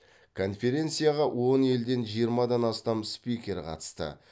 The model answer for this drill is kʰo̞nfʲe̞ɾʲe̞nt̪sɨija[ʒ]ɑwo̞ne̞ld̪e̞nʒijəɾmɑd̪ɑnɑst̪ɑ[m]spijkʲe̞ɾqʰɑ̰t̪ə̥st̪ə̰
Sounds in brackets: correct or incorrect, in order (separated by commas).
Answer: incorrect, correct